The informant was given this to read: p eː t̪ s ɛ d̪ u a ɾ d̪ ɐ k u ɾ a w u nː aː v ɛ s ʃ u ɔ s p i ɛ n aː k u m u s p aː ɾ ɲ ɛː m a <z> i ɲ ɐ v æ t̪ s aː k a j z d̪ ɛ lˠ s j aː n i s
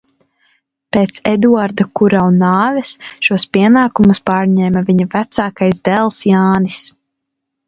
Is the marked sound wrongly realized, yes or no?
yes